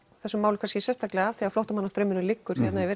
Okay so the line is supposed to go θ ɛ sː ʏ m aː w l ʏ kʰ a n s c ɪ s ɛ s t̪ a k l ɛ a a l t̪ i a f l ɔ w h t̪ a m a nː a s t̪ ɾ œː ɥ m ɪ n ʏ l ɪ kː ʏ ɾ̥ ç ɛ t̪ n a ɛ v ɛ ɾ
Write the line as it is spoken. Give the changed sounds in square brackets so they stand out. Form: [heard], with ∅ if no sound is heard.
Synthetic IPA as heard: θ ɛ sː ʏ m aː w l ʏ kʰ a n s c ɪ s ɛ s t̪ a k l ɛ a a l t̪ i a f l ɔ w h t̪ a m a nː a s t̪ ɾ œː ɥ m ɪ n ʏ l ɪ kː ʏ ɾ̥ ç ɛ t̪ n a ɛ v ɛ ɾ